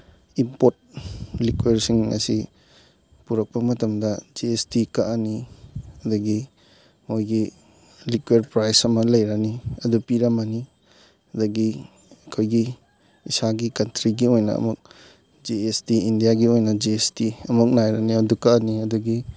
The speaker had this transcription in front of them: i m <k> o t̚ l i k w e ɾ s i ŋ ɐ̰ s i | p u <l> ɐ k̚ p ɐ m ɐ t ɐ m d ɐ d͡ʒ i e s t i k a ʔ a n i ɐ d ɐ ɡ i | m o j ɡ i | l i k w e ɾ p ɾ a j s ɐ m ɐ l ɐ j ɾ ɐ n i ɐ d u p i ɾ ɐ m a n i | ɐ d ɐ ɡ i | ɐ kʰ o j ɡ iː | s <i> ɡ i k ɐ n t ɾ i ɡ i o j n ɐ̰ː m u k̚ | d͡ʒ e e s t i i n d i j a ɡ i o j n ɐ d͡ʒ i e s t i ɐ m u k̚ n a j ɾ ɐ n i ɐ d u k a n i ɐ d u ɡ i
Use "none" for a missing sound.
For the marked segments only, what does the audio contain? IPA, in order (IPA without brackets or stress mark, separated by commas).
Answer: p, ɾ, a